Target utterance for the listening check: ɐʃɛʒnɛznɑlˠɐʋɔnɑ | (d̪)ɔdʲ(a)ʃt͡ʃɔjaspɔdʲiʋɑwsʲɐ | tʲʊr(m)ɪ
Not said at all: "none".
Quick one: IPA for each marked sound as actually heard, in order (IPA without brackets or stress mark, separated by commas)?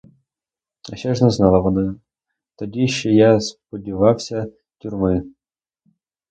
t̪, i, m